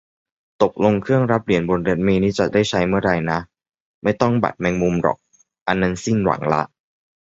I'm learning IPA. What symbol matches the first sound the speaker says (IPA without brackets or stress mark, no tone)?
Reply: t̪